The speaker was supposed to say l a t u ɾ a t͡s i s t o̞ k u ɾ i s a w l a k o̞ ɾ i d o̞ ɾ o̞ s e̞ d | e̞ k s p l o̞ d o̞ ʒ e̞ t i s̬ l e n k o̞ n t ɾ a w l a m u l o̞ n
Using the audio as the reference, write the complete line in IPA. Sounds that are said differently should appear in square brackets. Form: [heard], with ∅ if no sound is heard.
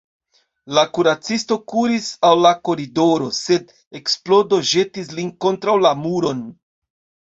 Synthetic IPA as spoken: l a [k] u ɾ a t͡s i s t o̞ k u ɾ i s a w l a k o̞ ɾ i d o̞ ɾ o̞ s e̞ d | e̞ k s p l o̞ d o̞ ʒ e̞ t i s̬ l [i] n k o̞ n t ɾ a w l a m u [ɾ] o̞ n